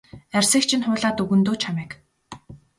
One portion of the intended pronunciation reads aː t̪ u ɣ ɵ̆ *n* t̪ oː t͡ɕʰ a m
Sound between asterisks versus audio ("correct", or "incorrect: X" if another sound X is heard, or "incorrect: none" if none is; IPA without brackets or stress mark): correct